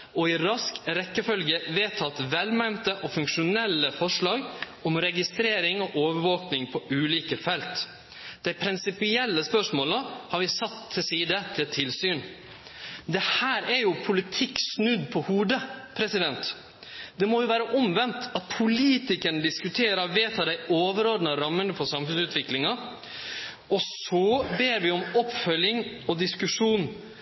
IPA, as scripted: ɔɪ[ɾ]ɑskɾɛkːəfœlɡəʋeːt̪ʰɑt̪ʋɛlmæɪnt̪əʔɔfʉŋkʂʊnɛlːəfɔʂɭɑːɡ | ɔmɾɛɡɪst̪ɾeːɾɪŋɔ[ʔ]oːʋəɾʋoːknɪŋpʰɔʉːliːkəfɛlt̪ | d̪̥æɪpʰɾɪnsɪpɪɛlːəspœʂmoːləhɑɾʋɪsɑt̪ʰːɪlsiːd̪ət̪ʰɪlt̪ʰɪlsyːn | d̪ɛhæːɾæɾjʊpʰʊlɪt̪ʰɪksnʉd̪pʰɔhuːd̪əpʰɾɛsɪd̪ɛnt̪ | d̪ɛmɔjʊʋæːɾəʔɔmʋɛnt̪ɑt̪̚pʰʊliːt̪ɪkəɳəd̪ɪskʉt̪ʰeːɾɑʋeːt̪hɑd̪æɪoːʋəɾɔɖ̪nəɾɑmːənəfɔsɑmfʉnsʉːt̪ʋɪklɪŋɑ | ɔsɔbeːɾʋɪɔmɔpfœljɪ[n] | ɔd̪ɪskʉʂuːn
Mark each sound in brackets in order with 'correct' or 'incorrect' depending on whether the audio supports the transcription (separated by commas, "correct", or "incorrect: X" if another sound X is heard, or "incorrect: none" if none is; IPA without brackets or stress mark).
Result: correct, correct, incorrect: ŋ